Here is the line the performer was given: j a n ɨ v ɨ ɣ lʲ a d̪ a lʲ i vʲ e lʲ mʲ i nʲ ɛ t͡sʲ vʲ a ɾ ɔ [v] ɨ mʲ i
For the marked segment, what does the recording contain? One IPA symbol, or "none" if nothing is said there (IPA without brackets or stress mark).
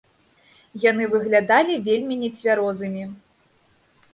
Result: z